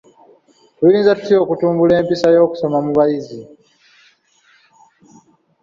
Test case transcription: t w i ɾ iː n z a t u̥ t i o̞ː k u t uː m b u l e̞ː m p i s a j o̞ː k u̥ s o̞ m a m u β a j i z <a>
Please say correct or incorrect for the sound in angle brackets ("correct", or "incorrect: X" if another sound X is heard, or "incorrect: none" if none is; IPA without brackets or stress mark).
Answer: incorrect: i